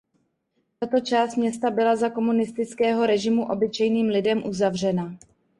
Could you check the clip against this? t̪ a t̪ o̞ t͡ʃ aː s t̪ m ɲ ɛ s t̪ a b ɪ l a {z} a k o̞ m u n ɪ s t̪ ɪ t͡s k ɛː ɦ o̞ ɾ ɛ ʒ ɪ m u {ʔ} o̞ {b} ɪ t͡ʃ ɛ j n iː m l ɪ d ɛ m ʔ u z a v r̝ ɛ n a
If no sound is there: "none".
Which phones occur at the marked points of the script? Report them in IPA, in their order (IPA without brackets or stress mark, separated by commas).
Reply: z, ʔ, b